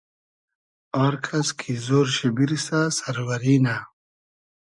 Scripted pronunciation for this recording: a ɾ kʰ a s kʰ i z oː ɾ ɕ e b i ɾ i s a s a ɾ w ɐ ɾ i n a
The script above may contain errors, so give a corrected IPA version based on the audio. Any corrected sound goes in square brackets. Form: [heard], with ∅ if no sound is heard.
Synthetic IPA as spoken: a ɾ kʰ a s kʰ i z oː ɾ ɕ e b i ɾ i s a s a ɾ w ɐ ɾ i n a